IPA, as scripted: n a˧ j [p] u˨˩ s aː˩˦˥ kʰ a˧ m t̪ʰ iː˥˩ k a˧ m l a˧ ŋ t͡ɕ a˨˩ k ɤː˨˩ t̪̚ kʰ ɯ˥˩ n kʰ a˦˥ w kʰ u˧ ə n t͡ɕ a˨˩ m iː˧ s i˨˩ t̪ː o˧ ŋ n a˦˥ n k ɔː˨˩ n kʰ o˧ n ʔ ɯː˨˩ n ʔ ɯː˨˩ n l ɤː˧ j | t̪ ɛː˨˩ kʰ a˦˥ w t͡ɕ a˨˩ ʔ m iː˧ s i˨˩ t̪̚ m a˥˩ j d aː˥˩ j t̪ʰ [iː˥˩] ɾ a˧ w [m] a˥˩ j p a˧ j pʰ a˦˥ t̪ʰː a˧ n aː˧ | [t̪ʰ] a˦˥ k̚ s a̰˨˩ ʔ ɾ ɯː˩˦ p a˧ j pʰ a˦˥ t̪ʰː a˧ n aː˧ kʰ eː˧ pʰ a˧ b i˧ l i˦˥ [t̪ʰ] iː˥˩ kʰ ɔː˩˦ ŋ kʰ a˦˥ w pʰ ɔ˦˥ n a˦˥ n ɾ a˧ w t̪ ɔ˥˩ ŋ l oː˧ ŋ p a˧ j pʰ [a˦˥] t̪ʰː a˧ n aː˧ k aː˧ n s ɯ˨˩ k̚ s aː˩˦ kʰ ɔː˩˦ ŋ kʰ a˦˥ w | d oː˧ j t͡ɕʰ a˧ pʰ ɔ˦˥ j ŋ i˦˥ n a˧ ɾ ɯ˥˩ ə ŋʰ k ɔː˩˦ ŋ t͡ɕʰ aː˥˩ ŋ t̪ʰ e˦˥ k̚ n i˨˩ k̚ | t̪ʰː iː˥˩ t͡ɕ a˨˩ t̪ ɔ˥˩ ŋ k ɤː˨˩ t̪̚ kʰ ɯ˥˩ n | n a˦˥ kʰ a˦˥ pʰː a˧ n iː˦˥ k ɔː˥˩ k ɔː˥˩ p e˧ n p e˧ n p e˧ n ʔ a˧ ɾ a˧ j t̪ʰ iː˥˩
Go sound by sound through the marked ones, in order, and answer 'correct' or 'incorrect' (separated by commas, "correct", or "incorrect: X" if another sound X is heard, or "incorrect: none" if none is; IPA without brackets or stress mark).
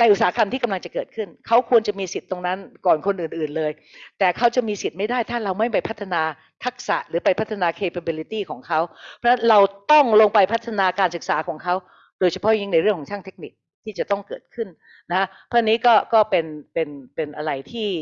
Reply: incorrect: ʔ, incorrect: aː˥˩, correct, correct, incorrect: t̪, correct